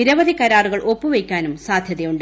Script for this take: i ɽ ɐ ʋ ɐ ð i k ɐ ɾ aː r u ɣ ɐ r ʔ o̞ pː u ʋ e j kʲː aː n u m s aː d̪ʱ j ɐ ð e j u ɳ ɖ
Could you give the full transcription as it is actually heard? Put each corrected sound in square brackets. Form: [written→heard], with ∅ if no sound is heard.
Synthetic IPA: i [ɽ→ɾ] ɐ ʋ ɐ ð i k ɐ ɾ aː r u ɣ ɐ [r→ɭ] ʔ o̞ pː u ʋ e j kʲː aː n u m s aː d̪ʱ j ɐ ð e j u ɳ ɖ